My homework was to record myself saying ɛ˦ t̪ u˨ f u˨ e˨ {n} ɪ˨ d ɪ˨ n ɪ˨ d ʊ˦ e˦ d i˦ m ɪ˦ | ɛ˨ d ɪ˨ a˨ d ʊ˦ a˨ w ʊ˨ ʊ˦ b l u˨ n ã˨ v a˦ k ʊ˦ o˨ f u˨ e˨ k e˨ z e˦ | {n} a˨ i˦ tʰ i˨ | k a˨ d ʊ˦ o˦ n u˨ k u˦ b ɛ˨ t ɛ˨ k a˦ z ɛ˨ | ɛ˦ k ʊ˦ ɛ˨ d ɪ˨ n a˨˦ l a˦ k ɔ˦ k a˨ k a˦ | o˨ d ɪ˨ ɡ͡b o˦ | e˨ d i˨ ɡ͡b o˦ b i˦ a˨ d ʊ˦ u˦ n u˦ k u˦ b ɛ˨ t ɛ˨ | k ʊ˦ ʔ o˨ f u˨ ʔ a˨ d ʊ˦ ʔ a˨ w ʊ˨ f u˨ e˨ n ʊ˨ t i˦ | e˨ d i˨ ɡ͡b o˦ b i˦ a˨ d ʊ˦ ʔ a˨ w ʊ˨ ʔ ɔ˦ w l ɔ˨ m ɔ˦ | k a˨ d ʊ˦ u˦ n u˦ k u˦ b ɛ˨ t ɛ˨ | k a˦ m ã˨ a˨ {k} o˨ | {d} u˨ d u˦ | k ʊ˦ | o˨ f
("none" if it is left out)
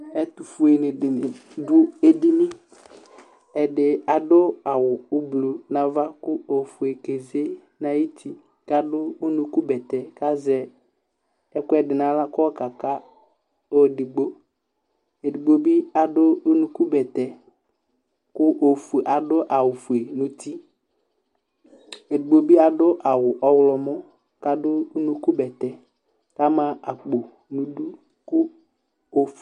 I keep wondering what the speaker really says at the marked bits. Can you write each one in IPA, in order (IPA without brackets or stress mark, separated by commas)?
n, n, k͡p, n